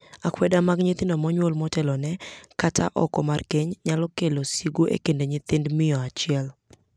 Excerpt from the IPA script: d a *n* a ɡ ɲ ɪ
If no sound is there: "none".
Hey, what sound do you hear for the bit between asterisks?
m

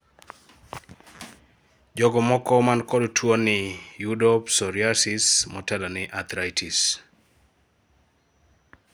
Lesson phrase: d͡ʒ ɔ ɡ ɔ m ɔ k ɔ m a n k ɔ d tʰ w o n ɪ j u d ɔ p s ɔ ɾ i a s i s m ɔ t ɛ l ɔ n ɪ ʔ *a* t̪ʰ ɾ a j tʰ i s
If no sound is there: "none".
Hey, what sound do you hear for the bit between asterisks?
a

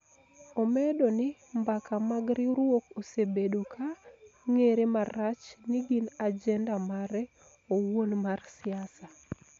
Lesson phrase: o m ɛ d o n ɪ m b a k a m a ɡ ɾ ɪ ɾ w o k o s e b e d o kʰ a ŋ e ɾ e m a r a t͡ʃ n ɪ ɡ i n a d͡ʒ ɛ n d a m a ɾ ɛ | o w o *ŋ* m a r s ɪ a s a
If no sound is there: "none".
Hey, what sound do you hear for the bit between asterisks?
n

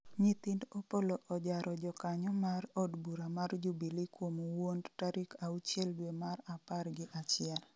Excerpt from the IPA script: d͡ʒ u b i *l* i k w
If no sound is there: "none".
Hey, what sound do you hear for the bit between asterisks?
l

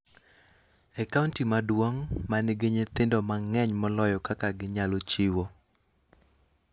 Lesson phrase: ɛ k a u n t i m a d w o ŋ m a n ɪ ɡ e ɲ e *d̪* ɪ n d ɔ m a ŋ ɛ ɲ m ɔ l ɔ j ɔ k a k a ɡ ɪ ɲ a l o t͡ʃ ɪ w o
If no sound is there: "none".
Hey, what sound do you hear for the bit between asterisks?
t̪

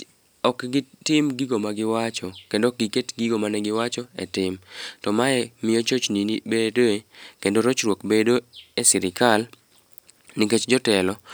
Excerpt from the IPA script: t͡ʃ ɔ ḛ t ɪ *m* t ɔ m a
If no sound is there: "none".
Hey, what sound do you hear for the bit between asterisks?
m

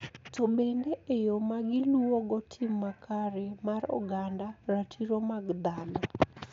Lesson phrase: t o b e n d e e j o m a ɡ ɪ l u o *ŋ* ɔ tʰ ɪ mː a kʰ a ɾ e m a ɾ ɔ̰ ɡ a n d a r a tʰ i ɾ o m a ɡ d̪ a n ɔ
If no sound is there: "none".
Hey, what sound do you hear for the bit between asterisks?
ɡ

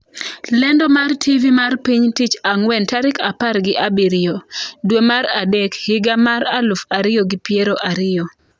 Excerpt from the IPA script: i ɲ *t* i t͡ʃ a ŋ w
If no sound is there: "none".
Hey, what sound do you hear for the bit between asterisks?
t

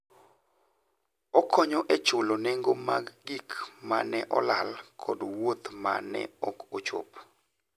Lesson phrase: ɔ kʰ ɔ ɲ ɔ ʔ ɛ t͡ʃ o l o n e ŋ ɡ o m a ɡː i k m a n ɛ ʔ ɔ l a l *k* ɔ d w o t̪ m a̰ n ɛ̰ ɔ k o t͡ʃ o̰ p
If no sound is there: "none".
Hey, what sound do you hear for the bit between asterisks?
kʰ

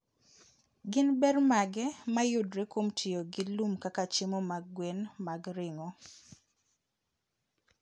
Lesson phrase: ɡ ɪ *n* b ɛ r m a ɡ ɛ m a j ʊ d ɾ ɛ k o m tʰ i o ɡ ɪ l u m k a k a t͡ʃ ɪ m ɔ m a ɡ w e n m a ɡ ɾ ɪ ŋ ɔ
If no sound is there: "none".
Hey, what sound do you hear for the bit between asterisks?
n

